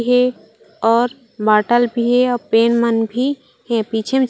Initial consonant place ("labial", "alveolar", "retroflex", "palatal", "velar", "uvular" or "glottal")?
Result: glottal